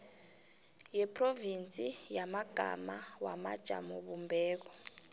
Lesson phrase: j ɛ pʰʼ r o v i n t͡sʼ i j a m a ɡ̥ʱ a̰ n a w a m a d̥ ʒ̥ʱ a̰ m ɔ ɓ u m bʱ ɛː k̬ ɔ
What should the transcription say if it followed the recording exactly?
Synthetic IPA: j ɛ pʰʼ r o v i n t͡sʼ i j a m a ɡ̥ʱ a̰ m a w a m a d̥ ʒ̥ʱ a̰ m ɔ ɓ u m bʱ ɛː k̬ ɔ